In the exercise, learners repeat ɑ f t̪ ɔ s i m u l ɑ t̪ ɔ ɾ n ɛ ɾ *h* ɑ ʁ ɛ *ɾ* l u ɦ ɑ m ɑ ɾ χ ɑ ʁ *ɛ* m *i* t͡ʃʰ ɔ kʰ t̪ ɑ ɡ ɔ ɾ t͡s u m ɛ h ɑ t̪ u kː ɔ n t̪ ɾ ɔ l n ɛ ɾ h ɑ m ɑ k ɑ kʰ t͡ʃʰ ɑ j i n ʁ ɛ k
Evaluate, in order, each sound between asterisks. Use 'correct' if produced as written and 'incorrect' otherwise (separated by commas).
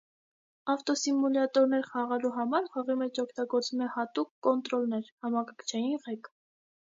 incorrect, incorrect, incorrect, incorrect